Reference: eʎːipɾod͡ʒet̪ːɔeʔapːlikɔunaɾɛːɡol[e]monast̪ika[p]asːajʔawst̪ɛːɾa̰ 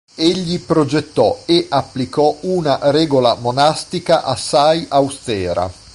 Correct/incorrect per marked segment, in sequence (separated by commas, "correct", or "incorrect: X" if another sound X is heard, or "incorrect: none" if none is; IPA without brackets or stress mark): incorrect: a, incorrect: ʔ